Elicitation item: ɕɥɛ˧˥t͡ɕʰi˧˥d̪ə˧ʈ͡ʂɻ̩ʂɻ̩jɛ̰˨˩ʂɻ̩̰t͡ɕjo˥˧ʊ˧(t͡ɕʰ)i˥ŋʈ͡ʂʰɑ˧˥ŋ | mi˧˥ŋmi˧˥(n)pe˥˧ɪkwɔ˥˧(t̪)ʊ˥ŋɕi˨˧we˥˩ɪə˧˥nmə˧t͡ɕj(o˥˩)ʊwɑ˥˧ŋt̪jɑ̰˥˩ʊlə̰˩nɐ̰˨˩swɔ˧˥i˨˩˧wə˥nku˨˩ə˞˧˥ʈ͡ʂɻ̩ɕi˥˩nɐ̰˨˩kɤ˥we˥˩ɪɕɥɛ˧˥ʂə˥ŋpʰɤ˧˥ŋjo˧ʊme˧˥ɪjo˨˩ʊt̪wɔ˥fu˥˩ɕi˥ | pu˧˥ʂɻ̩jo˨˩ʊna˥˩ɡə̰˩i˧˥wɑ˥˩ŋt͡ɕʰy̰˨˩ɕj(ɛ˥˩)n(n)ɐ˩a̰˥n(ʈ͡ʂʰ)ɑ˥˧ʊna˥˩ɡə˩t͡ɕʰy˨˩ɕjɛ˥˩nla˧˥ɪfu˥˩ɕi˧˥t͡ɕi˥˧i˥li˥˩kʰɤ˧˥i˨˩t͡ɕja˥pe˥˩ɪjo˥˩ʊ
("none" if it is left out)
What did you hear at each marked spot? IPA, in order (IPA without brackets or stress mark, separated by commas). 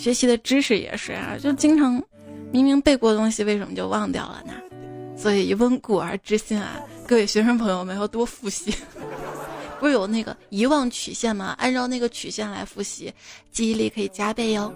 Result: t͡ɕ, ŋ, t̪, o˥˧, ɛ˥˩, m, ʈ͡ʂ